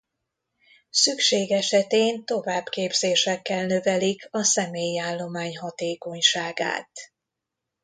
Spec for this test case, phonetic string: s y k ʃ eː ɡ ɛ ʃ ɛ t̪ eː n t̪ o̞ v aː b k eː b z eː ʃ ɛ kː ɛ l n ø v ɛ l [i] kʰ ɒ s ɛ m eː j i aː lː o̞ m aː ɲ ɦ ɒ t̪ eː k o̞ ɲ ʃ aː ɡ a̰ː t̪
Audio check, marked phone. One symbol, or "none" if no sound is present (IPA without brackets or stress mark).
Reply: i